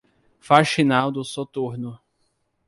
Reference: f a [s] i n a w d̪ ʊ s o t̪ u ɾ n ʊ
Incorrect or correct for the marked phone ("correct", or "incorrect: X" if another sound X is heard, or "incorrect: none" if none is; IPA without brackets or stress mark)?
incorrect: ʃ